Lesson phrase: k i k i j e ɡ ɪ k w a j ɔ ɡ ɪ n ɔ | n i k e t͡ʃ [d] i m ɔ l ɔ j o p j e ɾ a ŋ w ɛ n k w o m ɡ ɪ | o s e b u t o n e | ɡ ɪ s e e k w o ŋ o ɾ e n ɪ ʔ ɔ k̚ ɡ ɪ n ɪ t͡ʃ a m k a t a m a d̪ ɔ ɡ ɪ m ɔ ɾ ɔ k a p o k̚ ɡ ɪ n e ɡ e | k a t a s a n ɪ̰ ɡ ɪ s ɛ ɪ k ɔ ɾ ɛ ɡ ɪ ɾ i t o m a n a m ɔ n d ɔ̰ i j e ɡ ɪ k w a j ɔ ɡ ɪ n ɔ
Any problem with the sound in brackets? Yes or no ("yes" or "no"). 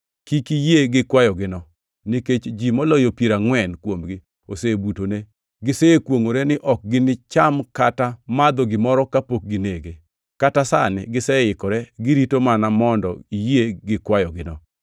yes